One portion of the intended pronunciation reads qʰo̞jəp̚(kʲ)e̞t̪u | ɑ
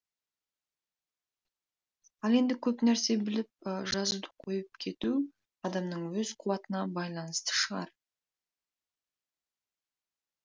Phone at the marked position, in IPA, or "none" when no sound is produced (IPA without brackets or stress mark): kʲʰ